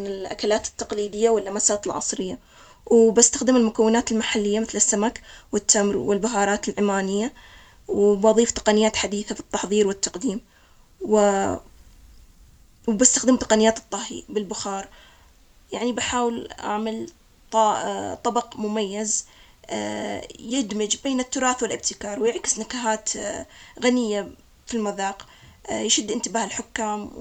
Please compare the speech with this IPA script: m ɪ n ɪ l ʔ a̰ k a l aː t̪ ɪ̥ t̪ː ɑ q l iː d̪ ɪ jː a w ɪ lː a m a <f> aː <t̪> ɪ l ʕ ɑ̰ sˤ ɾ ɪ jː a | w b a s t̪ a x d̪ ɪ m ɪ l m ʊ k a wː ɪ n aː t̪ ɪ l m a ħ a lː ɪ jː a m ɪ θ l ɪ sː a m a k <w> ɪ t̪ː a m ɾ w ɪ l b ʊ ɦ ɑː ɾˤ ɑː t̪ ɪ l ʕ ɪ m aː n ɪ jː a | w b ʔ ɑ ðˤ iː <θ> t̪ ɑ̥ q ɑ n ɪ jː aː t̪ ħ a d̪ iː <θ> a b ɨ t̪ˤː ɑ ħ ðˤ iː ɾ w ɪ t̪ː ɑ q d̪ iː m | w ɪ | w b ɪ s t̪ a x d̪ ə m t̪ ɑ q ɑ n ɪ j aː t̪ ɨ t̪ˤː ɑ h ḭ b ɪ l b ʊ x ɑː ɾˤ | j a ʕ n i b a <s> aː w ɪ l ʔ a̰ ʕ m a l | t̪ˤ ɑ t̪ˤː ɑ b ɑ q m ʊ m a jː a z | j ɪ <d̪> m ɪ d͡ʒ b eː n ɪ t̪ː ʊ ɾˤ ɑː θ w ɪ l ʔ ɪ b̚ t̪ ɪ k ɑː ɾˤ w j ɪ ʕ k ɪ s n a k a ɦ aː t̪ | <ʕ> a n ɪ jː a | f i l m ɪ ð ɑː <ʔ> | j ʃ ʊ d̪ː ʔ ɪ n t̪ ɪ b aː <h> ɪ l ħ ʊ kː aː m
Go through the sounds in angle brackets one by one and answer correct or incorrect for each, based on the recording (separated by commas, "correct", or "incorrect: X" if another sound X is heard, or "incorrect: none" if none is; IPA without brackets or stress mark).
incorrect: s, correct, correct, incorrect: f, correct, incorrect: ħ, correct, incorrect: ɣ, incorrect: q, correct